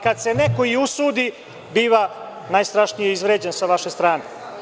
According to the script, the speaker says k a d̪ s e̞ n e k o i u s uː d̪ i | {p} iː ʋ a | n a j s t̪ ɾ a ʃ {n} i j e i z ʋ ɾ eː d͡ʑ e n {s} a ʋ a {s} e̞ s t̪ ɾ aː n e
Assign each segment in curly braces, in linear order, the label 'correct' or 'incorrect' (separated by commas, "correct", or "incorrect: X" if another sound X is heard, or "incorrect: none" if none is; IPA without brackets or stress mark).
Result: incorrect: b, correct, correct, incorrect: ʃ